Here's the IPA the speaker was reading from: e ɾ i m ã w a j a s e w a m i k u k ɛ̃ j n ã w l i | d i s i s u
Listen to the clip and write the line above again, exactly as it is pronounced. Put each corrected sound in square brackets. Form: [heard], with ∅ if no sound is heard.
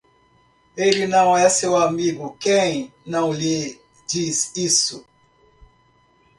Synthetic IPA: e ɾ i [n] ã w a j a s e w a m i [ɡ] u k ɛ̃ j n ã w l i | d i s i s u